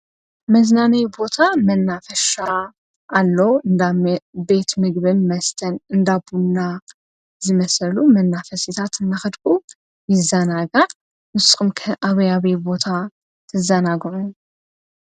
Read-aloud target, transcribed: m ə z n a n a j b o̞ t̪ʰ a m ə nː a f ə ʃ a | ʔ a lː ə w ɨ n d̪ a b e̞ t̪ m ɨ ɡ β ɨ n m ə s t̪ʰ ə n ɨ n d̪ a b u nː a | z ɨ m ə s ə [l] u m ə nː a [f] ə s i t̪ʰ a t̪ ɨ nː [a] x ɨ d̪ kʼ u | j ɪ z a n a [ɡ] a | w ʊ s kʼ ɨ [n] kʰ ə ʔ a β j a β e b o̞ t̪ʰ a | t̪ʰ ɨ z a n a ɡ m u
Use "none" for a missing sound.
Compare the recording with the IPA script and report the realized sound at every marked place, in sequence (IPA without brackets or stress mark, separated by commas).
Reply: l, f, a, ɡ, m